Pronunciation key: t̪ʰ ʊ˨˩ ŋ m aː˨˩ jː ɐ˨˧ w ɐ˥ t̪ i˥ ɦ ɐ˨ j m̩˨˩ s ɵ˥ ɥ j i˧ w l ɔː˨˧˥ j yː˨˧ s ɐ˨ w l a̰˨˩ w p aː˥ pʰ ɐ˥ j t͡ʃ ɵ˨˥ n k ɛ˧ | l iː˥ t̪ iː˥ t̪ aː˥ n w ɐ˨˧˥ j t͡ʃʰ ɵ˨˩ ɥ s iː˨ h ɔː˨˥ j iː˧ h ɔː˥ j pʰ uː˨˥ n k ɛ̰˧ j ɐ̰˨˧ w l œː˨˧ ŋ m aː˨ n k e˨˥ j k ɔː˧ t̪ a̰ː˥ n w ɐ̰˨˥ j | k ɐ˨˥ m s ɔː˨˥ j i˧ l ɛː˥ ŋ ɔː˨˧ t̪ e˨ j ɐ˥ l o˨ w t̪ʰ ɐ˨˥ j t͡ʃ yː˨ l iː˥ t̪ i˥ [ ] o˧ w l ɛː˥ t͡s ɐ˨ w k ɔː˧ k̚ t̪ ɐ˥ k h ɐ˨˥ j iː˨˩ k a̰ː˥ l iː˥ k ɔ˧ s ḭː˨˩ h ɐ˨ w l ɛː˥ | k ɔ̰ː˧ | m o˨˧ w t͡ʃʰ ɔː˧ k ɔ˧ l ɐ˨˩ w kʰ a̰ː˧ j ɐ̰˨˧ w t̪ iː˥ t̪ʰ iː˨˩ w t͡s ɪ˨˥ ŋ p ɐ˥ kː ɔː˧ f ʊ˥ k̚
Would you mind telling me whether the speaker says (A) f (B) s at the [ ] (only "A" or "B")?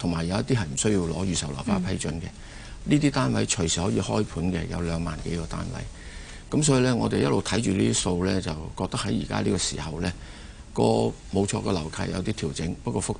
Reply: B